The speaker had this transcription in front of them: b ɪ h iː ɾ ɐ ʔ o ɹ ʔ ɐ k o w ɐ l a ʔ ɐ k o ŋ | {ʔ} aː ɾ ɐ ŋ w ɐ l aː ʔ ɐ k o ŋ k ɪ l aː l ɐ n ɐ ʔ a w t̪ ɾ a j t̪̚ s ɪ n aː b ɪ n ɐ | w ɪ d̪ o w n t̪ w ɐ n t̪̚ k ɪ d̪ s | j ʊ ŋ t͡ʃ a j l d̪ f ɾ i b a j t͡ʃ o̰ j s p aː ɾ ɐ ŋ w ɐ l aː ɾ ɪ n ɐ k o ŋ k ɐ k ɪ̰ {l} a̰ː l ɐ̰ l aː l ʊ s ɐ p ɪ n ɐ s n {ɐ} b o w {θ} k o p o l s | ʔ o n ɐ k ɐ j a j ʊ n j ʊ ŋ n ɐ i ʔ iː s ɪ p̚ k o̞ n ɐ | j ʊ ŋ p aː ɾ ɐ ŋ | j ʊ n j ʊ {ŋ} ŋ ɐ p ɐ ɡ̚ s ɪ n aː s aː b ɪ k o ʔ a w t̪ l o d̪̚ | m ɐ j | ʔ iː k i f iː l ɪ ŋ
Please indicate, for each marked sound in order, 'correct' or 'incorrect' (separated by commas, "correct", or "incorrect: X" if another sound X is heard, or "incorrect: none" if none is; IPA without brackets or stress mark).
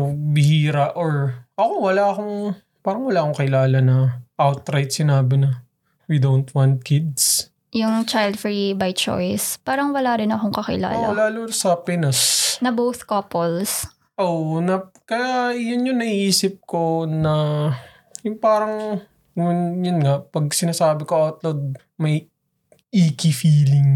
incorrect: p, correct, correct, correct, incorrect: n